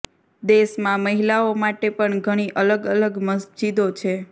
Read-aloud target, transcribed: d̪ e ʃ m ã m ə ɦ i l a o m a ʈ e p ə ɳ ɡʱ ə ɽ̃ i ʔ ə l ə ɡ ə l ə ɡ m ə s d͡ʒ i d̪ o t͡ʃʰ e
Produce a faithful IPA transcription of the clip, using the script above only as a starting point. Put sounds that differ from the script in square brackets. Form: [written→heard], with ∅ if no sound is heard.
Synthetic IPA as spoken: d̪ e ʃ m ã m ə ɦ i l a o m a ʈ e p ə ɳ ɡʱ ə ɽ̃ i ʔ ə l ə ɡ ə l ə ɡ m ə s d͡ʒ i d̪ o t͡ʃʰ e